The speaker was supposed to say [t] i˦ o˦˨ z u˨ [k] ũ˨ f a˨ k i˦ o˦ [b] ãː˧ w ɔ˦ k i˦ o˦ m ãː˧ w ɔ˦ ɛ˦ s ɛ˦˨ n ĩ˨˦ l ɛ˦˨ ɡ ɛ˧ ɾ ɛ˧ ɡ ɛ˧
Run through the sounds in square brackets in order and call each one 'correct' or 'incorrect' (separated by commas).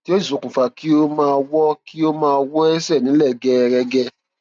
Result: correct, correct, incorrect